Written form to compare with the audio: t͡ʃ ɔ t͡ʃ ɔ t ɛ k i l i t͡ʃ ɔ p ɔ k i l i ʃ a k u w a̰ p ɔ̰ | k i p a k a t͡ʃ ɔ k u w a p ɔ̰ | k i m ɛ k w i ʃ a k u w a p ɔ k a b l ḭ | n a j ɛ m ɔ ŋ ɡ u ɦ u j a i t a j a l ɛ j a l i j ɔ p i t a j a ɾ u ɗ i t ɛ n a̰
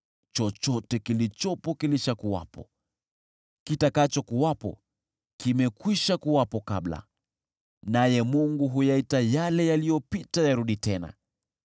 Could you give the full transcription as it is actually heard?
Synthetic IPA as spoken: t͡ʃ ɔ t͡ʃ ɔ t ɛ k i l i t͡ʃ ɔ p ɔ k i l i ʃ a k u w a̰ p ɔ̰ | k i t a k a t͡ʃ ɔ k u w a p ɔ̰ | k i m ɛ k w i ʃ a k u w a p ɔ k a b l a̰ | n a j ɛ m u ŋ ɡ u ɦ u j a i t a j a l ɛ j a l i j ɔ p i t a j a ɾ u ɗ i t ɛ n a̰